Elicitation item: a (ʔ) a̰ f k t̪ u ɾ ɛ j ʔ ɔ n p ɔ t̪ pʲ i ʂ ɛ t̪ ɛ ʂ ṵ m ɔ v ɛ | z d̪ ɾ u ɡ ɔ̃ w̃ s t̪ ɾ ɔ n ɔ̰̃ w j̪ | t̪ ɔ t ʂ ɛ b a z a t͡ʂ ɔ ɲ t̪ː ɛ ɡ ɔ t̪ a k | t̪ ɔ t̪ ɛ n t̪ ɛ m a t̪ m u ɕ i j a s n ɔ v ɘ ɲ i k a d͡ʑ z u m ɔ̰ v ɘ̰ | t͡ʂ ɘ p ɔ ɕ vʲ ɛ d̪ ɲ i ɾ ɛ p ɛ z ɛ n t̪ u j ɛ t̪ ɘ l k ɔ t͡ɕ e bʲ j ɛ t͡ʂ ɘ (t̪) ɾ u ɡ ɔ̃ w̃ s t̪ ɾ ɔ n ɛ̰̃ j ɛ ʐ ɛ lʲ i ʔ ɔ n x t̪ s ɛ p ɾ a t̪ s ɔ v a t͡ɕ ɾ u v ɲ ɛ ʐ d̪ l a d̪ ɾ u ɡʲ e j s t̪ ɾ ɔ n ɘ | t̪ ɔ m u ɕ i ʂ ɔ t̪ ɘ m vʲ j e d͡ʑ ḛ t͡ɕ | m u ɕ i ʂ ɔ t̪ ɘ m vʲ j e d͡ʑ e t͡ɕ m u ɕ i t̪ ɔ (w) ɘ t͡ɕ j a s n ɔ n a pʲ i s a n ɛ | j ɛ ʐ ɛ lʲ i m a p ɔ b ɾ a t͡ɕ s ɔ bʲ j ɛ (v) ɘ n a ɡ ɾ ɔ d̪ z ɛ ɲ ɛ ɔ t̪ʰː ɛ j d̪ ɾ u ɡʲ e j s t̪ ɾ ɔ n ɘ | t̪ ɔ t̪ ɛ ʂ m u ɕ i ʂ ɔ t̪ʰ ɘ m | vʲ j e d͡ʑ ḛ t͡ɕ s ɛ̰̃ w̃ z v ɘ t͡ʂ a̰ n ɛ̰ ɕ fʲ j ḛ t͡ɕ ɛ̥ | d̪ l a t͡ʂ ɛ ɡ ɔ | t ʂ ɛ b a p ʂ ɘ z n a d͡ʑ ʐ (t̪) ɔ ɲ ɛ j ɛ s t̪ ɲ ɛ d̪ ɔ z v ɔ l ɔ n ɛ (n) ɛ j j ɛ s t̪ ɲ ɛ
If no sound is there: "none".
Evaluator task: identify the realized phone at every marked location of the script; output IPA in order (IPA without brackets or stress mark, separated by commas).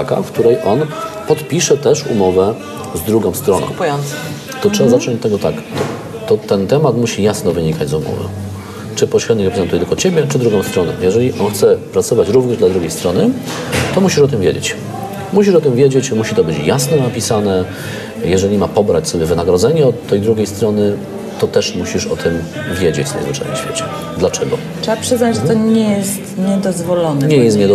k, d̪, b, v, t̪, ɲ